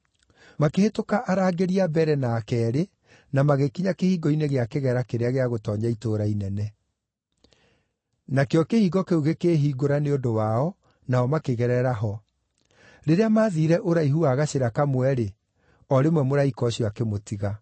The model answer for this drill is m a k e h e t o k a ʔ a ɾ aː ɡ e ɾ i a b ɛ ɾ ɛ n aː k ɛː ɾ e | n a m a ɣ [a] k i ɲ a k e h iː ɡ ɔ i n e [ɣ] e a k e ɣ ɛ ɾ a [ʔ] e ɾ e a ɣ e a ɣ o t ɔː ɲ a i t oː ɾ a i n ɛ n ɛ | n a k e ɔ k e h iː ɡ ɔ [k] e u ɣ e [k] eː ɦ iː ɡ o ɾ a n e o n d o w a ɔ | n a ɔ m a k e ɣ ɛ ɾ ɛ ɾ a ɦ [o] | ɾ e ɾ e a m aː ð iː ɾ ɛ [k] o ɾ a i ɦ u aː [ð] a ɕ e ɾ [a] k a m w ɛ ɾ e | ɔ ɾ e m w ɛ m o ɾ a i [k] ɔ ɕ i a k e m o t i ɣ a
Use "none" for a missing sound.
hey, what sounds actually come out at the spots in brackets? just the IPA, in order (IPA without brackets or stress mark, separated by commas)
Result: e, ɣ, k, k, k, ɔ, ʔ, ɣ, a, k